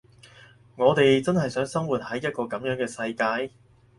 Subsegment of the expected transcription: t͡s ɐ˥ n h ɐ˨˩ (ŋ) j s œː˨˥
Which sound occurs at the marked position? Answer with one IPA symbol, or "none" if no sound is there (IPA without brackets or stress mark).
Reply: none